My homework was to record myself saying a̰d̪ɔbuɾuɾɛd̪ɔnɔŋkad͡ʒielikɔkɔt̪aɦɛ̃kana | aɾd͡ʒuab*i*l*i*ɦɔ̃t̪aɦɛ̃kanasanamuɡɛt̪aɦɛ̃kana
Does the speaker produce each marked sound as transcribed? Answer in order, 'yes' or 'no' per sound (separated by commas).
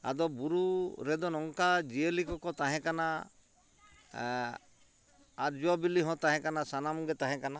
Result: yes, yes